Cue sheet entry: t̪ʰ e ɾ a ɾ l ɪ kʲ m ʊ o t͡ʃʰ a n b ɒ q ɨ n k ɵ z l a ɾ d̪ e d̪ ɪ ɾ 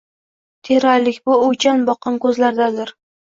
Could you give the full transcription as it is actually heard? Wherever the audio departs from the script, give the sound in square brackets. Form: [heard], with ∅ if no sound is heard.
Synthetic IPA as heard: t̪ʰ e ɾ a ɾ l ɪ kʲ [b] ʊ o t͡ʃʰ a n b ɒ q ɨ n k ɵ z l a ɾ d̪ [a] d̪ ɪ ɾ